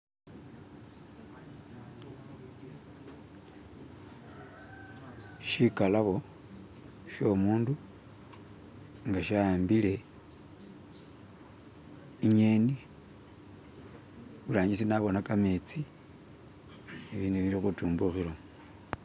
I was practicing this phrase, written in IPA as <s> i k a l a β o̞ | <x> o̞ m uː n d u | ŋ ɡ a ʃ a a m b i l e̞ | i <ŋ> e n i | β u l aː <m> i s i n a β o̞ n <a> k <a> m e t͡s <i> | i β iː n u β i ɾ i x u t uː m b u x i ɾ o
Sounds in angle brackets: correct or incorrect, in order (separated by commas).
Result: incorrect, incorrect, incorrect, incorrect, correct, correct, correct